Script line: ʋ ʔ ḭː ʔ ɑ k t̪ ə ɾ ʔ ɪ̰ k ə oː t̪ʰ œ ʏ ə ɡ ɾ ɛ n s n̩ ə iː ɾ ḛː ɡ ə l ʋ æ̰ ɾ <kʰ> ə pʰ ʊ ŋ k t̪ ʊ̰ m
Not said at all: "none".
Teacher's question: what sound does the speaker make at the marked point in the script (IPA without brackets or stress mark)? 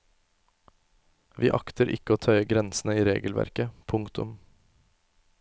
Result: k